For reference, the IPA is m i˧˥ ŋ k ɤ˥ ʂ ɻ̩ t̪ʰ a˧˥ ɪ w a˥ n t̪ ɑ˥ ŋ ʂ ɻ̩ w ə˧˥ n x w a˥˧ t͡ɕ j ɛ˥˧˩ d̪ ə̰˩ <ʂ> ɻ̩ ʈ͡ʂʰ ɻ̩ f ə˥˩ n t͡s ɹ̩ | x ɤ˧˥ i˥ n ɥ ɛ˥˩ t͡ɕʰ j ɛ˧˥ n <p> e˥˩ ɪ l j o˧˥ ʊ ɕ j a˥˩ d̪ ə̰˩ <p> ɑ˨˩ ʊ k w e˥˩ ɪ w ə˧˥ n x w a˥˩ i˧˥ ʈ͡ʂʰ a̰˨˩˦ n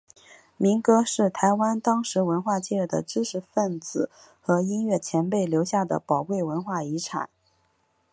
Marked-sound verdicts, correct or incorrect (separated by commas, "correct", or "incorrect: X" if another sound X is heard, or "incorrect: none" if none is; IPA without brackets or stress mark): incorrect: ʈ͡ʂ, correct, correct